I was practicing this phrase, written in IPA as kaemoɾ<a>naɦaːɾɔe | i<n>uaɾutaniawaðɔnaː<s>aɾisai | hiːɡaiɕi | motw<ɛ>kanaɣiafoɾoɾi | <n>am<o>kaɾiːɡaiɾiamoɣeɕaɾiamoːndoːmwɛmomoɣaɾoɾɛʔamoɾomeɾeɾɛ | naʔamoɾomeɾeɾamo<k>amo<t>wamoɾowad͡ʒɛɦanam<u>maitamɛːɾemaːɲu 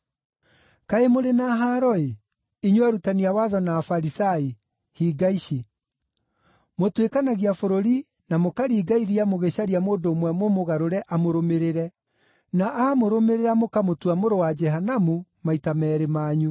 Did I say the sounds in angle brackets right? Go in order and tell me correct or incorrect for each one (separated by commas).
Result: incorrect, incorrect, incorrect, incorrect, correct, correct, correct, correct, correct